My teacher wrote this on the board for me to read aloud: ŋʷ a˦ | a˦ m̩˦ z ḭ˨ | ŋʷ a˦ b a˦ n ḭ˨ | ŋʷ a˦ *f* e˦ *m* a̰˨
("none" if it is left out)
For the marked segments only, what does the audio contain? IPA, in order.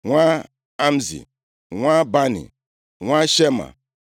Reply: ʃ, m

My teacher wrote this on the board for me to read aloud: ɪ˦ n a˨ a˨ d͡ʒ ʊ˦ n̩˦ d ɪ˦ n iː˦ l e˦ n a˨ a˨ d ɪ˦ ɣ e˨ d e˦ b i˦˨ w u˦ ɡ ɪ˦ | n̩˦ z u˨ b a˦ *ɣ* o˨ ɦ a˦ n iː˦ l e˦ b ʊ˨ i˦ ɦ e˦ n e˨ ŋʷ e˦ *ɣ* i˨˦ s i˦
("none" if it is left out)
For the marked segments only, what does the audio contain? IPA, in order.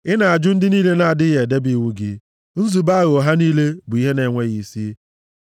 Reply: ɣ, ɣ

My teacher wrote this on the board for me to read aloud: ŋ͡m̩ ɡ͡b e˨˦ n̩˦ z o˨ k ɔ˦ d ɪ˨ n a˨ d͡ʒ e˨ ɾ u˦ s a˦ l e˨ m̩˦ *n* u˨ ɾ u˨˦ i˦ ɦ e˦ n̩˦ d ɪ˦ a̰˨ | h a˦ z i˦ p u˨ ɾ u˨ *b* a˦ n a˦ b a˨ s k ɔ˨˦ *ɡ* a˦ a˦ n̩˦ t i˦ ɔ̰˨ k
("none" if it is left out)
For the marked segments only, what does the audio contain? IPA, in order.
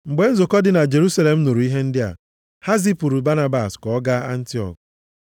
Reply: n, b, ɡ

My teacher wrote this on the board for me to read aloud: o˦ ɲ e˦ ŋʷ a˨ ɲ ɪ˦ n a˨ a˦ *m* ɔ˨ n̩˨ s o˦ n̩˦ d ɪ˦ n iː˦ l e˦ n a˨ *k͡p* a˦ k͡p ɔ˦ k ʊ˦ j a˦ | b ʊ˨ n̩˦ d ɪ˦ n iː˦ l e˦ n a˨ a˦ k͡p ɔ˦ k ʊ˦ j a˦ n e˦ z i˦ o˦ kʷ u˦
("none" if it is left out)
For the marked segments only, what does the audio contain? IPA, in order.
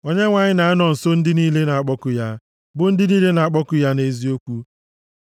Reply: n, none

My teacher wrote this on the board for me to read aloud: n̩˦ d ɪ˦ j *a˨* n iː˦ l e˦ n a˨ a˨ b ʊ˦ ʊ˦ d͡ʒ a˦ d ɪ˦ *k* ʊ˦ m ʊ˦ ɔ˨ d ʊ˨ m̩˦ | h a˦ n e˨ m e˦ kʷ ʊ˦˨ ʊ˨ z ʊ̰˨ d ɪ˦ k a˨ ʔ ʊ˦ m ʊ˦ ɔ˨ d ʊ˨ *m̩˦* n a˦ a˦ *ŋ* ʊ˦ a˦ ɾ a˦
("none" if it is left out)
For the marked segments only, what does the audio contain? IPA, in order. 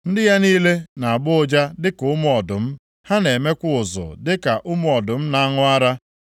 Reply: a˦, k, m̩˦, ŋ

